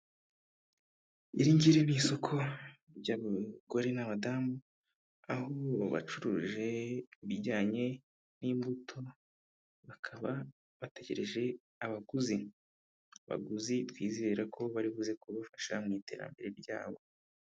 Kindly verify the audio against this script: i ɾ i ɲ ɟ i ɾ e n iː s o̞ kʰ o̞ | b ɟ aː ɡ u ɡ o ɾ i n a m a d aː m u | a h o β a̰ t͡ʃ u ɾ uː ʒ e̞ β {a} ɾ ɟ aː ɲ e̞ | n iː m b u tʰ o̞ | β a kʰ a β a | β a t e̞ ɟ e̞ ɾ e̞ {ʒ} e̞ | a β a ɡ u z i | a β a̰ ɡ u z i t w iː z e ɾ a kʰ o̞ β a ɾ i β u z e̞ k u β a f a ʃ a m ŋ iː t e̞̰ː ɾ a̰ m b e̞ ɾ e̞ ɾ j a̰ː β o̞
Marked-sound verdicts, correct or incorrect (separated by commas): incorrect, correct